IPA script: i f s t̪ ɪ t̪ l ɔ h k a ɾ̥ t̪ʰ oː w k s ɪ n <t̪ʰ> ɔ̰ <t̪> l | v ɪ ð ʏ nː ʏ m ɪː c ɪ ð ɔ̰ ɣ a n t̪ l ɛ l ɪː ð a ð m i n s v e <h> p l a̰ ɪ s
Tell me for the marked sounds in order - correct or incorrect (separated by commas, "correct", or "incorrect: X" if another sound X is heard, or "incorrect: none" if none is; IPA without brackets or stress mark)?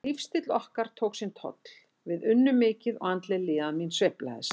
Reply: correct, correct, correct